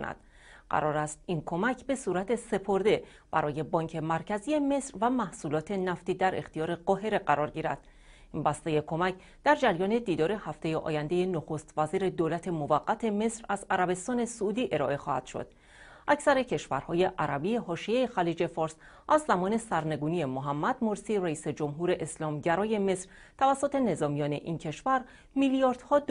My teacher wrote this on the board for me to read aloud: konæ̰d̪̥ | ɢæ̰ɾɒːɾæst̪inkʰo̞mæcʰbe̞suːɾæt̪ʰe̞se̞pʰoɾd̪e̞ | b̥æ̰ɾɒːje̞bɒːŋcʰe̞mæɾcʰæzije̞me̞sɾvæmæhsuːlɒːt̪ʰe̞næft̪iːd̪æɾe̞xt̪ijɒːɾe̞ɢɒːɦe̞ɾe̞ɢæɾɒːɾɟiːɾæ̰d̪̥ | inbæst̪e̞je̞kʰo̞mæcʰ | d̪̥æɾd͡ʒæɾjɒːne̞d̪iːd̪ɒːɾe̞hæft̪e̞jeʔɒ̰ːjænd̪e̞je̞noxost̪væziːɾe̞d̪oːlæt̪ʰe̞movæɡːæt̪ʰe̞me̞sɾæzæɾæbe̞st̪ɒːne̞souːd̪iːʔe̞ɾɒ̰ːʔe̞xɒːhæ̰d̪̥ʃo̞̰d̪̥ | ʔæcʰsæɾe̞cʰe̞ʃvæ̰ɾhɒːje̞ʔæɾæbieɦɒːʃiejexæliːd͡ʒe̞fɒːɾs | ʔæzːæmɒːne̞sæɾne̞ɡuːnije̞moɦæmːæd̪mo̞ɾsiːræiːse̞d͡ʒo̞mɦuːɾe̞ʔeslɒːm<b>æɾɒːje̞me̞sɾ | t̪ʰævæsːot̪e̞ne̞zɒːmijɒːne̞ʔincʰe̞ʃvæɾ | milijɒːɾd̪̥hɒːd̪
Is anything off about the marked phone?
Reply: yes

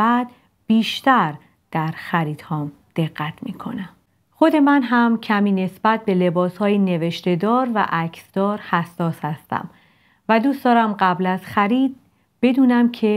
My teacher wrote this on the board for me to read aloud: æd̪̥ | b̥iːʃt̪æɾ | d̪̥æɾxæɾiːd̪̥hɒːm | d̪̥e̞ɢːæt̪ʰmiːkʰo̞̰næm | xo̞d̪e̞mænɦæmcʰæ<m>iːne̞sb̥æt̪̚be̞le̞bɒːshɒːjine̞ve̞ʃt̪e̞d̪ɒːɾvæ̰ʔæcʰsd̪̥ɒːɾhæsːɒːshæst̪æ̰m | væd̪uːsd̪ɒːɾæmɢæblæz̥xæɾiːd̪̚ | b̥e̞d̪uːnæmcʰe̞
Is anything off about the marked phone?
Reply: no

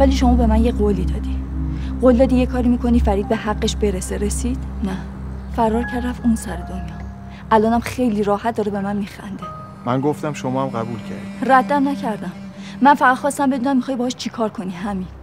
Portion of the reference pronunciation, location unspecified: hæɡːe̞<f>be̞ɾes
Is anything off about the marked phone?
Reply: yes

